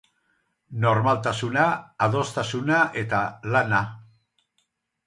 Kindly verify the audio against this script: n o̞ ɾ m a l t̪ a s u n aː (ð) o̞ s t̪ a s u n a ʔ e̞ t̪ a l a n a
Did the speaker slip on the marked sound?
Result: no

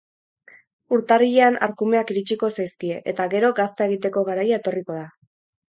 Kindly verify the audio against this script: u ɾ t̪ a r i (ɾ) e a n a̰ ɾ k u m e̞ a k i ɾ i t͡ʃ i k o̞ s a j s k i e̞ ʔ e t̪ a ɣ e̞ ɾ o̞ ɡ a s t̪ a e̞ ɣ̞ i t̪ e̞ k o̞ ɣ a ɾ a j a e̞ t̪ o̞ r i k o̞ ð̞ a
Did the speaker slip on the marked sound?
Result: yes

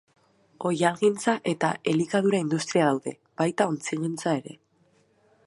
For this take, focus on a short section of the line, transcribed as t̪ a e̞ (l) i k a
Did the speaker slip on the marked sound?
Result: no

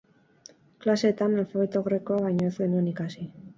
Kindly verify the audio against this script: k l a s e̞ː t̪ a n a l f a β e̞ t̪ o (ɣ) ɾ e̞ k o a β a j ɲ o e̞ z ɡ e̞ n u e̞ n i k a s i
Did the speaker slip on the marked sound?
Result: no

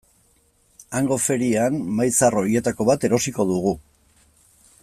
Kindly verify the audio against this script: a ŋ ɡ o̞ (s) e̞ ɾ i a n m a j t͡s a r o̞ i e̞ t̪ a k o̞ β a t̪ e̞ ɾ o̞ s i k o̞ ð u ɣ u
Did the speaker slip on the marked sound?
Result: yes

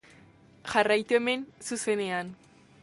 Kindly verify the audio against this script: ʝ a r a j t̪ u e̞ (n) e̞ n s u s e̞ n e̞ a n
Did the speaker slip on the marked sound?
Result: yes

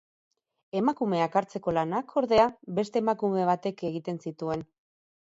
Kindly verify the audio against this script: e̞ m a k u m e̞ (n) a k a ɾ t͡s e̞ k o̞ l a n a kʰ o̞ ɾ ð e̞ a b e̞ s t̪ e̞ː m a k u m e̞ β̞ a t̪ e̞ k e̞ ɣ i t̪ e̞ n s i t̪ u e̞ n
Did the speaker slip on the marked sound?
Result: yes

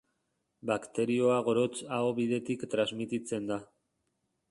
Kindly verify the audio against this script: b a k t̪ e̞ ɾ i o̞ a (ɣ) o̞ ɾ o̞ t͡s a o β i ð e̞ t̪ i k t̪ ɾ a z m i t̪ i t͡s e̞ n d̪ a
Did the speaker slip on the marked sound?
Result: no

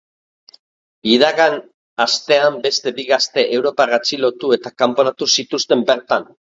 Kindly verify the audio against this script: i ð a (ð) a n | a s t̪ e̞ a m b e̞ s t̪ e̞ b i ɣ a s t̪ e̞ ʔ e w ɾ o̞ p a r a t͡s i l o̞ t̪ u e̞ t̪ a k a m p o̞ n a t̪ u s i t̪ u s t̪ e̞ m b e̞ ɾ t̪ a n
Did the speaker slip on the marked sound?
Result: yes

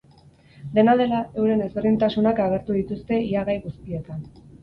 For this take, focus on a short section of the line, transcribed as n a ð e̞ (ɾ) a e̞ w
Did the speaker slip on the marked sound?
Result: yes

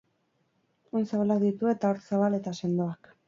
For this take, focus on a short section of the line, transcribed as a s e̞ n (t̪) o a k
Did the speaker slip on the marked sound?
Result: yes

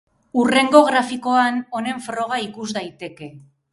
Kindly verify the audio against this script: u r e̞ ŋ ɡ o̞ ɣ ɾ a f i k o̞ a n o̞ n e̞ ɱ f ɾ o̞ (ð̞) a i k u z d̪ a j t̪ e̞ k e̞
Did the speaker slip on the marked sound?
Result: yes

